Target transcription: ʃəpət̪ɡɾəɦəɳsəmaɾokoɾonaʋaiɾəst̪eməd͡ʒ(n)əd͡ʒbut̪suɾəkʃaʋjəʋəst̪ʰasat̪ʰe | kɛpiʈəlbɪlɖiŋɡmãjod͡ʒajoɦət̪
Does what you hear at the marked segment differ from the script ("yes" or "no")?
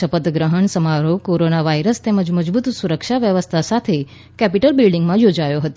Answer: yes